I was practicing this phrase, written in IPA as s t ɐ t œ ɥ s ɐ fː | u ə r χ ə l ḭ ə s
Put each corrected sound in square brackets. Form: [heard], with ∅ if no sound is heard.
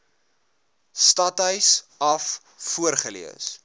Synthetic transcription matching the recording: s t ɐ t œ ɥ s ɐ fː | u ə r χ ə l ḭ ə s